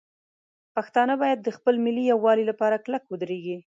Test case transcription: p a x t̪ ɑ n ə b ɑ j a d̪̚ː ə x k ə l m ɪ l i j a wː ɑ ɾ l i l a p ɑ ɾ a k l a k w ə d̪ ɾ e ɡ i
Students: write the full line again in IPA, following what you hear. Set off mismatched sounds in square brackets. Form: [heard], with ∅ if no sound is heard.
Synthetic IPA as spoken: p a x t̪ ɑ n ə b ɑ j a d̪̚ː ə x [p] ə l m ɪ l i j a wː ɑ [∅] l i l a p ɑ ɾ a k l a k w ə d̪ ɾ e ɡ i

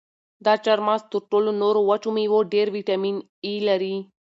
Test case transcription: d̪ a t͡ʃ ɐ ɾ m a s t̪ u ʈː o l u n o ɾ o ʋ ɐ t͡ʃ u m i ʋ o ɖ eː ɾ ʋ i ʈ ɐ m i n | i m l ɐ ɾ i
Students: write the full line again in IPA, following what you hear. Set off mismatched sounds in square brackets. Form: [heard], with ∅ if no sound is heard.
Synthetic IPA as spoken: d̪ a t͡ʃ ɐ ɾ m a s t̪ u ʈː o l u n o ɾ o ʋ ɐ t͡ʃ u m i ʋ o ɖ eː ɾ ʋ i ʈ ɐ m i n | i [∅] l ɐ ɾ i

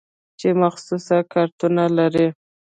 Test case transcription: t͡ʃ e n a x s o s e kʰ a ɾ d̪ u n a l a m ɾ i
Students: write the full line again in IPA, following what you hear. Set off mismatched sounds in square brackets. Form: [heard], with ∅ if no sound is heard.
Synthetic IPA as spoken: t͡ʃ e [m] a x s [u] s [a] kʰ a ɾ [t̪] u n a l a [∅] ɾ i

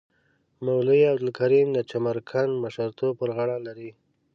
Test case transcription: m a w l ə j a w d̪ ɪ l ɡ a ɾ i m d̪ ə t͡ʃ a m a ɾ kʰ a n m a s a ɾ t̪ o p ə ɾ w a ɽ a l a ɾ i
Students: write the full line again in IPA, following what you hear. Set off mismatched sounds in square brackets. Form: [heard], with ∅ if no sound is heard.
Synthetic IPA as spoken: m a w l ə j a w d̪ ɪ l [k] a ɾ i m d̪ ə t͡ʃ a m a ɾ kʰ a n m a [ʃ] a ɾ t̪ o p ə ɾ [ɣ] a ɽ a l a ɾ i

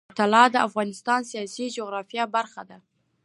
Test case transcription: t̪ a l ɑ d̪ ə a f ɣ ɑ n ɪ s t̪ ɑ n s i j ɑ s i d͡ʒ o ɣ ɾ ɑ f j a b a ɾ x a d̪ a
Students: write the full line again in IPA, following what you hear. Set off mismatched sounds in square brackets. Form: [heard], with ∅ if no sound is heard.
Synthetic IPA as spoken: t̪ a l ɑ d̪ ə a f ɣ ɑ n ɪ s t̪ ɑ n s i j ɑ s i d͡ʒ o ɣ ɾ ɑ f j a b a ɾ x a d̪ a

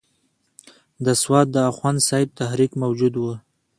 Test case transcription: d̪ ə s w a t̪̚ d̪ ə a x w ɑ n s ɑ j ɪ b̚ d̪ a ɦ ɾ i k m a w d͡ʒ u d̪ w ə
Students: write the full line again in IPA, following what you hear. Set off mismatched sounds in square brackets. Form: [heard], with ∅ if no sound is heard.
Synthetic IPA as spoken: d̪ ə s w [ɑ] t̪̚ d̪ ə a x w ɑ n s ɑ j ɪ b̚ [t̪] a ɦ ɾ i k m a w d͡ʒ u d̪ w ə

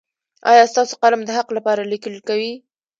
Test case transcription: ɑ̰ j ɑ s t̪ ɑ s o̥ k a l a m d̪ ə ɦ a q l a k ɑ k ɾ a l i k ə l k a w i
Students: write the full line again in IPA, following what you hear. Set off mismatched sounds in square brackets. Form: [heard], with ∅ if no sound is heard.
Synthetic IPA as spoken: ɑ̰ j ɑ s t̪ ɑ s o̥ [q] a l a m d̪ ə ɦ a q l a [p] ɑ [∅] ɾ a l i k ə l k a w i

